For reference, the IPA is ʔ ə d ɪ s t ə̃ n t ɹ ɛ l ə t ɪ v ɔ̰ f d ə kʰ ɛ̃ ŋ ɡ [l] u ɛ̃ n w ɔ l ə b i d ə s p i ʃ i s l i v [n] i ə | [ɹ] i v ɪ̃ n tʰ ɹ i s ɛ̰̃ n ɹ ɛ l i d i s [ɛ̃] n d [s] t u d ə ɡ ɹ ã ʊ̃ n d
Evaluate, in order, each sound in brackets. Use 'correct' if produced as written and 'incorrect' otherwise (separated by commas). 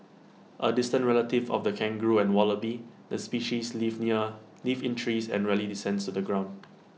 incorrect, correct, incorrect, correct, correct